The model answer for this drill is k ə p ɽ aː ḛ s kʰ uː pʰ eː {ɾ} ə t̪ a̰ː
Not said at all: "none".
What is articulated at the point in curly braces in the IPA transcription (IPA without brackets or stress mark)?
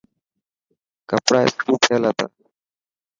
l